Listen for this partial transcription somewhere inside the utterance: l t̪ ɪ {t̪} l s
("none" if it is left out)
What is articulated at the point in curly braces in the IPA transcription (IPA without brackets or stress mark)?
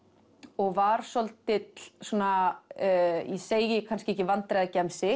t̪